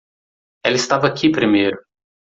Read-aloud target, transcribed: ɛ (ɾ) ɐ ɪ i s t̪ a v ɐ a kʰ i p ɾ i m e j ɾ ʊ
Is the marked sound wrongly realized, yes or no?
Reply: yes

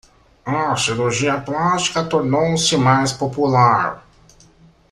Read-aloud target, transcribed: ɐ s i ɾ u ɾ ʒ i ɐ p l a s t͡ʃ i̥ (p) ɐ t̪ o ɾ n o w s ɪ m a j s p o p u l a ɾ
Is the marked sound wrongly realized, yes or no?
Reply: yes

